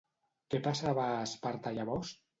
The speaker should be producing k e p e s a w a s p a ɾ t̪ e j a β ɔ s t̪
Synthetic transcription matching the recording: k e p a s a β a s p a ɾ t̪ a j a β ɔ s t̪